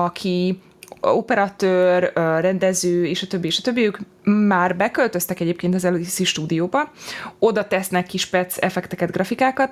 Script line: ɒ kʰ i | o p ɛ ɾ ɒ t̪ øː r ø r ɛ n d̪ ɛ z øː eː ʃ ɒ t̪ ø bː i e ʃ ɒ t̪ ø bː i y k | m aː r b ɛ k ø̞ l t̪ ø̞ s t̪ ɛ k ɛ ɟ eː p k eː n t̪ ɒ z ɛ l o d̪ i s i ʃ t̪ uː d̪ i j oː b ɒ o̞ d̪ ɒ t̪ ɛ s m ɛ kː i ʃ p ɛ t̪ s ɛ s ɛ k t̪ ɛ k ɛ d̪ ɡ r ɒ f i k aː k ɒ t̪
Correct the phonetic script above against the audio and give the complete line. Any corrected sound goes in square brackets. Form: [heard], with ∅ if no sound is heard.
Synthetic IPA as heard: ɒ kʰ i | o p ɛ ɾ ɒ t̪ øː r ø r ɛ n d̪ ɛ z øː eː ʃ ɒ t̪ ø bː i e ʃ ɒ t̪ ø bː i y k | m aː r b ɛ k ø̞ l t̪ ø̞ s t̪ ɛ k ɛ ɟ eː p k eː n t̪ ɒ z ɛ l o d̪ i s i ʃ t̪ uː d̪ i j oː b ɒ o̞ d̪ ɒ t̪ ɛ s [n] ɛ kː i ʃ p ɛ t̪ s ɛ [f] ɛ k t̪ ɛ k ɛ d̪ ɡ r ɒ f i k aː k ɒ t̪